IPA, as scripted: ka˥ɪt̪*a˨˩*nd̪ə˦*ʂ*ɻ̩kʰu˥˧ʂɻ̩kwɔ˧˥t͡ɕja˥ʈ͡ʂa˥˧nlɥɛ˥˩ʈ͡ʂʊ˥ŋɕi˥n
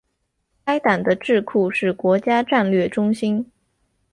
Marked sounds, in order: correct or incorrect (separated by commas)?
correct, incorrect